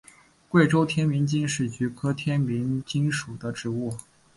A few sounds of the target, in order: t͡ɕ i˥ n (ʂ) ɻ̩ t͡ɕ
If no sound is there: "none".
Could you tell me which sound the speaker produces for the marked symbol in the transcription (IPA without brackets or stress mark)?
ʂ